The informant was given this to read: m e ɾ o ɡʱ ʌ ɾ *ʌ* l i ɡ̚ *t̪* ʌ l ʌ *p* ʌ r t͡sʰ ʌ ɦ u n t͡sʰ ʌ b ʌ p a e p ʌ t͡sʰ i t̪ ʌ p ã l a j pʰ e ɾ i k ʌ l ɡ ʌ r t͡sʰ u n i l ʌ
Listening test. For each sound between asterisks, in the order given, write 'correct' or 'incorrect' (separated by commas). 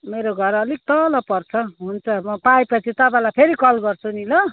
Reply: correct, correct, correct